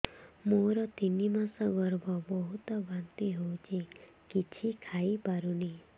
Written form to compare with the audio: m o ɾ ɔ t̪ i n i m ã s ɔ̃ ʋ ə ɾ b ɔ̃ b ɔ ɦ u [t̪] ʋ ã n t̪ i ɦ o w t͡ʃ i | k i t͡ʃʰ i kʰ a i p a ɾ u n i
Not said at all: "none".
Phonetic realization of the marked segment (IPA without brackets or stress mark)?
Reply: t̪